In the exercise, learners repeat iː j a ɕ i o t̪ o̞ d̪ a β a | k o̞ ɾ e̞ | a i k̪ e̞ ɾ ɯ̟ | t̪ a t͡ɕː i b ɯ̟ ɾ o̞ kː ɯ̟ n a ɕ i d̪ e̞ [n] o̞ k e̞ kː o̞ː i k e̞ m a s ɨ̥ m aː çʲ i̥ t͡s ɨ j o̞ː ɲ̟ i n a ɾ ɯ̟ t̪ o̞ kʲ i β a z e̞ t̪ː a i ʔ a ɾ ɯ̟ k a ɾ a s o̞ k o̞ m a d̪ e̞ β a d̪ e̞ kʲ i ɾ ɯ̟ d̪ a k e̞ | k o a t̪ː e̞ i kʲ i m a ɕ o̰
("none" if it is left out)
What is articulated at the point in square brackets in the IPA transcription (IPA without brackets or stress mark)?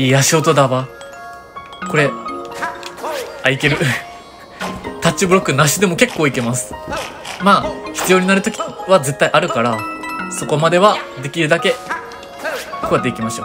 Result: m